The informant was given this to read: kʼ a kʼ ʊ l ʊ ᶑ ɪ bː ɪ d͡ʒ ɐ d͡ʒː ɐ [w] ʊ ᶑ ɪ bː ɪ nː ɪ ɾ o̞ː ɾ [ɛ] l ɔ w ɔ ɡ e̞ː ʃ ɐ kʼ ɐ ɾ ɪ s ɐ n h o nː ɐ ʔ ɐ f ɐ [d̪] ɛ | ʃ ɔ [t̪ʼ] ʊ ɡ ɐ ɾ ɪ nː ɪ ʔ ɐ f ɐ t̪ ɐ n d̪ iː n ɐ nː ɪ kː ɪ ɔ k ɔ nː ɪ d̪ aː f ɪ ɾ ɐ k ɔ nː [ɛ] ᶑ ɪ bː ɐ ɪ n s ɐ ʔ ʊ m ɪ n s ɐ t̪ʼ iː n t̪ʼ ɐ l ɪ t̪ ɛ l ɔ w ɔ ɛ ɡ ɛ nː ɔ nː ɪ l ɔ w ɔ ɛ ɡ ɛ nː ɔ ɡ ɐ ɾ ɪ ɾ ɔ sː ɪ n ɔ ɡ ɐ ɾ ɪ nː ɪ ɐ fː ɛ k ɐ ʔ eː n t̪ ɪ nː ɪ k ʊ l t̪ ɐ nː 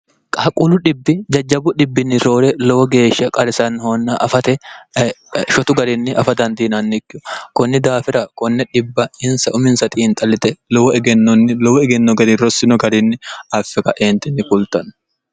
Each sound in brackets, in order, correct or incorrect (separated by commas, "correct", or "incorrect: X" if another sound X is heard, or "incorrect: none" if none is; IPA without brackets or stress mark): incorrect: b, correct, incorrect: t̪, incorrect: t̪, correct